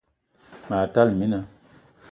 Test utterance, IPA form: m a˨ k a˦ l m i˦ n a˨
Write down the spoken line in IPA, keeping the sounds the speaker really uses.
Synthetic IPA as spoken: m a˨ t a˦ l m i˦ n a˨